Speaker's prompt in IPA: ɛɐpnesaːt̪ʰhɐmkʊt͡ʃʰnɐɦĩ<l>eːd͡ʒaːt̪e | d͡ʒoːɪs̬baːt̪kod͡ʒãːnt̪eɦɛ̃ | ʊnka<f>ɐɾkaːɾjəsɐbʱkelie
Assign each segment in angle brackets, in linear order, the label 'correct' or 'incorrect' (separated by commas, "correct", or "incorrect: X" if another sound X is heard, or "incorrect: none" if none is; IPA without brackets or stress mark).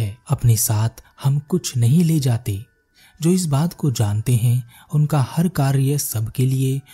correct, incorrect: h